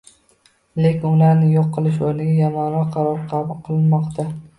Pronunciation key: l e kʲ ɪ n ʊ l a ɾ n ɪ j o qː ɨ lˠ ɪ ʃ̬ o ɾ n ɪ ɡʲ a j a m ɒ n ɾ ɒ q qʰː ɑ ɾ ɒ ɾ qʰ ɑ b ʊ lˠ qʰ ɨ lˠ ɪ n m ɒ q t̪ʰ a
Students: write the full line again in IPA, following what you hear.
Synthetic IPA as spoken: l e kʲ ɪ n ʊ l a ɾ n ɪ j o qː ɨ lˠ ɪ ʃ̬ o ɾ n ɪ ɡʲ a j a m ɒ n ɾ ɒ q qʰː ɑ ɾ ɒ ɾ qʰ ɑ b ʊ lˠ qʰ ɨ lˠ ɪ n m ɒ q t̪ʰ a